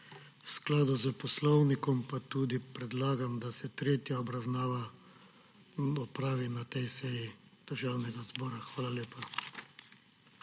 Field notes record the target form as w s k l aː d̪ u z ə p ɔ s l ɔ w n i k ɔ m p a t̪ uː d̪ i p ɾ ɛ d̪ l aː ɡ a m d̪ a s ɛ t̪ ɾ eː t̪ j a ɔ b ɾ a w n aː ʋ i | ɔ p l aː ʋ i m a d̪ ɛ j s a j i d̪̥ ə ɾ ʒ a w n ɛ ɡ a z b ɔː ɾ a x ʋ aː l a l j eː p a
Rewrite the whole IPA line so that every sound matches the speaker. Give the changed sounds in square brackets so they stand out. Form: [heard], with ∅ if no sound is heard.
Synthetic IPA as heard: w s k l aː d̪ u z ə p ɔ s l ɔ w n i k ɔ m p a t̪ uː d̪ i p ɾ ɛ d̪ l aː ɡ a m d̪ a s ɛ t̪ ɾ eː t̪ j a ɔ b ɾ a w n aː ʋ [a] | ɔ p [ɾ] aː ʋ i [n] a [t̪] ɛ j s [ɛ] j i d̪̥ ə ɾ ʒ a w n ɛ ɡ a z b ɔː ɾ a x ʋ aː l a l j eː p a